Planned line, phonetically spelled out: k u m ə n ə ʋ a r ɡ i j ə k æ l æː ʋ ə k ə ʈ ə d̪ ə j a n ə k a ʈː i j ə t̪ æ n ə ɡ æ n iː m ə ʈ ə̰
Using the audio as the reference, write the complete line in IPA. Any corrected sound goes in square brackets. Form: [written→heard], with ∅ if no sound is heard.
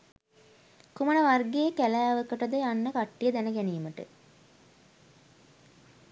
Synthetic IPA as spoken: k u m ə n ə ʋ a r ɡ [i→e] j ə k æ l æː ʋ ə k ə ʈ ə d̪ ə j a [n→nː] ə k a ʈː i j ə [t̪→d̪] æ n ə ɡ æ n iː m ə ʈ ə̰